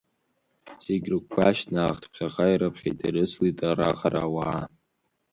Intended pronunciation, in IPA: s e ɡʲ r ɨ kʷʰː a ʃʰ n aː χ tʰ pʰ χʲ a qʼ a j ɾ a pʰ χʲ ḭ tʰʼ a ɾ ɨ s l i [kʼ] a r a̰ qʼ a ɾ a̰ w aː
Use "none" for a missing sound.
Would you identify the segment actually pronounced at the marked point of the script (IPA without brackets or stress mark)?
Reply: tʼ